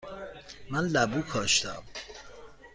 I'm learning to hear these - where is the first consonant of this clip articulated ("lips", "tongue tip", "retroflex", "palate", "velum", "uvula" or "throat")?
lips